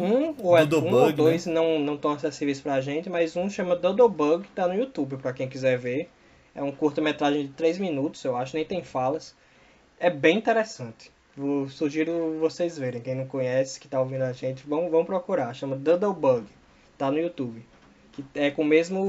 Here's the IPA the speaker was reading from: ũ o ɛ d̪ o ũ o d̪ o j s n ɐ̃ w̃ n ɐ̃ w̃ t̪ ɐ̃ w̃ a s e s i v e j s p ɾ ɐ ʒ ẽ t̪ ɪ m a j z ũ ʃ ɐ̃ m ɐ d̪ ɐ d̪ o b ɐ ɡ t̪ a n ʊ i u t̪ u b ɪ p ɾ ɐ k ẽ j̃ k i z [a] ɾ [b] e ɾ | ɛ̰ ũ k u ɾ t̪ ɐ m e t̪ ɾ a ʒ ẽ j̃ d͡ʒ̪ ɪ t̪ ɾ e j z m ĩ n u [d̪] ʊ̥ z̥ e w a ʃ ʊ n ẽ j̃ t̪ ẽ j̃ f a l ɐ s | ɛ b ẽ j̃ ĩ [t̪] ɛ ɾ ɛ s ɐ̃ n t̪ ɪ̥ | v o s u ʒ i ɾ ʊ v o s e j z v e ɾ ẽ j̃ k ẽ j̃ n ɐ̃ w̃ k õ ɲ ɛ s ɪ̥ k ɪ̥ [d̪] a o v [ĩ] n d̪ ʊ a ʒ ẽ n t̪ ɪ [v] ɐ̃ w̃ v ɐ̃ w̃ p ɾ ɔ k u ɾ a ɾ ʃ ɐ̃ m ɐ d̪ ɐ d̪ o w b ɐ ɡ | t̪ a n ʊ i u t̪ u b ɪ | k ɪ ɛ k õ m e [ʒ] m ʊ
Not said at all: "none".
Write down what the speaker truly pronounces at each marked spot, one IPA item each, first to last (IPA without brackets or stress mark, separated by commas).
ɛ, v, t̪, t̪, t̪, ĩ, v, z